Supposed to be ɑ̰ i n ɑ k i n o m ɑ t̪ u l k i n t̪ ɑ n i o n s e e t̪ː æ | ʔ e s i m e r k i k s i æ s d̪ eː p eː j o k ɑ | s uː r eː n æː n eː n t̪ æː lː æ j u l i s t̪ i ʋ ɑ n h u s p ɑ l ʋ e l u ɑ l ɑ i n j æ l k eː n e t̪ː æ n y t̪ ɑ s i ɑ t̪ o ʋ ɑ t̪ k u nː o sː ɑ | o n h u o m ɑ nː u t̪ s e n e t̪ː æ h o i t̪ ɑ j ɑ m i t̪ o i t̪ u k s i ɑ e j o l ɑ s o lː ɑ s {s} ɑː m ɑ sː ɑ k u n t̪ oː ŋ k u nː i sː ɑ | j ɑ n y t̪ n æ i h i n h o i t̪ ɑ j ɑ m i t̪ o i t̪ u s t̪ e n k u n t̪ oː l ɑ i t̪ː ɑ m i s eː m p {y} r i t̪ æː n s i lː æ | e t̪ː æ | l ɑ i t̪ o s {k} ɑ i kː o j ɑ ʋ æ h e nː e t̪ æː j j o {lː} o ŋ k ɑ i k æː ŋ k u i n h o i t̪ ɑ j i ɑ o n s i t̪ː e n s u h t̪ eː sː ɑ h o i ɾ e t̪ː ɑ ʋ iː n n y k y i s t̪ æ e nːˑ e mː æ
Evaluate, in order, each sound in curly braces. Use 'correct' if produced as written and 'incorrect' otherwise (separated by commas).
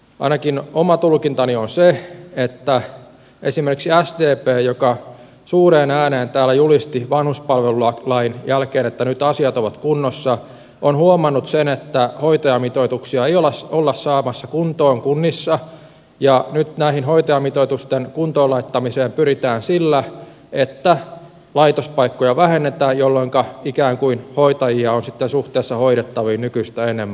correct, correct, incorrect, correct